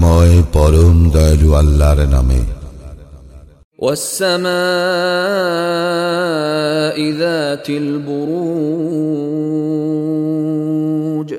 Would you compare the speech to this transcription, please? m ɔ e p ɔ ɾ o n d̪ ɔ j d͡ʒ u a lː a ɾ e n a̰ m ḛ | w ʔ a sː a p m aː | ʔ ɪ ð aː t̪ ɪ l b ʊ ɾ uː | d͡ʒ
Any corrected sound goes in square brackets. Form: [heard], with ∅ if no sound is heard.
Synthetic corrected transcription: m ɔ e p ɔ ɾ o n d̪ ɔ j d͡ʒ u a lː a ɾ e n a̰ m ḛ | w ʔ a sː a [∅] m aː | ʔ ɪ ð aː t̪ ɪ l b ʊ ɾ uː | d͡ʒ